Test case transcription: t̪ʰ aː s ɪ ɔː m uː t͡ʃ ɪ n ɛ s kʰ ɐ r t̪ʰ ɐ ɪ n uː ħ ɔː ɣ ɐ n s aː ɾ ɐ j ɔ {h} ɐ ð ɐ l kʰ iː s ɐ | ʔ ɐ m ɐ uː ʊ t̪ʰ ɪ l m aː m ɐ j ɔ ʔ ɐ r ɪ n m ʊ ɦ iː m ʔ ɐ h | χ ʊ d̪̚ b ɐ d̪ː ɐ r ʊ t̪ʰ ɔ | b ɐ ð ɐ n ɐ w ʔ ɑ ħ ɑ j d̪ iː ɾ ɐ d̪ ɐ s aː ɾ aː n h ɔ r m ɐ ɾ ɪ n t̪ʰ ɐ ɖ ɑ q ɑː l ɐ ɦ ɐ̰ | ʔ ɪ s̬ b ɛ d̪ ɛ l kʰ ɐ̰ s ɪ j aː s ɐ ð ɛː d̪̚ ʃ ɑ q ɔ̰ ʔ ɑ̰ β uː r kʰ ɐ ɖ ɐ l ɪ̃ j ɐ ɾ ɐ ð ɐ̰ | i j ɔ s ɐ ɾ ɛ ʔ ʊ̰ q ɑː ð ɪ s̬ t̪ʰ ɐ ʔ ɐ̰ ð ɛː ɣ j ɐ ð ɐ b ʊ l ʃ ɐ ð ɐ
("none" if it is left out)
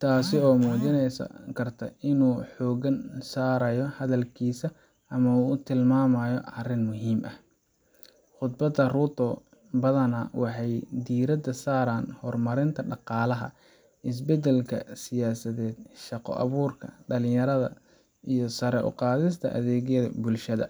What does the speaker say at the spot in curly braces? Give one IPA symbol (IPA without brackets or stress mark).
h